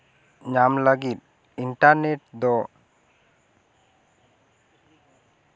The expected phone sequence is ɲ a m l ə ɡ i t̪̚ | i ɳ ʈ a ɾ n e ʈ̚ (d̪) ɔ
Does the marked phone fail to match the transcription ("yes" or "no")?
no